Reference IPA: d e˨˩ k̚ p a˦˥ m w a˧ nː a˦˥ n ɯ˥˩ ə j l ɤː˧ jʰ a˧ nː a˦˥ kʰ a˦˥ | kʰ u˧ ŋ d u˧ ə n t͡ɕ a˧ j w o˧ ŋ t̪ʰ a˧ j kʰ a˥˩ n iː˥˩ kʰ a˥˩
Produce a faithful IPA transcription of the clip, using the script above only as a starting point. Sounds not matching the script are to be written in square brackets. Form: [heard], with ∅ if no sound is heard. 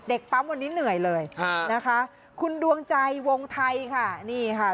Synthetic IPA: d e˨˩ k̚ p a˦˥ m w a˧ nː [i˦˥] n [ɯ˨˩] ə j l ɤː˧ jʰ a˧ [n] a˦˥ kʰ a˦˥ | kʰ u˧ [n] d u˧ ə [ŋ] t͡ɕ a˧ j w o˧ ŋ t̪ʰ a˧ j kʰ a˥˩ n iː˥˩ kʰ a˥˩